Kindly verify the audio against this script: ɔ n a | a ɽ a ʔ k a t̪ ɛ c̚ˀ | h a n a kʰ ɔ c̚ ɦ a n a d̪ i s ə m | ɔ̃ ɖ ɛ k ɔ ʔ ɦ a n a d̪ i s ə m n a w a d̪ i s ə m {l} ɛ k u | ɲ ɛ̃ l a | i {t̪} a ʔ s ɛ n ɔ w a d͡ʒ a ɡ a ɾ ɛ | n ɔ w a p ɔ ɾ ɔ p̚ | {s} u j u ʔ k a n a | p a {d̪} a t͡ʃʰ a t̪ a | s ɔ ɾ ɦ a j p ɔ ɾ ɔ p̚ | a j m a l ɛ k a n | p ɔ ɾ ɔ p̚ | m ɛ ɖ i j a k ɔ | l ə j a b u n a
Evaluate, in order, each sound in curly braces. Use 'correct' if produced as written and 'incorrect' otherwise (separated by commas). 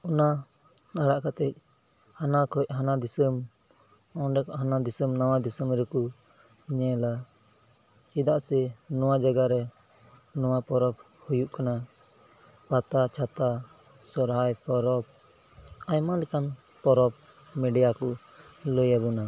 incorrect, incorrect, incorrect, incorrect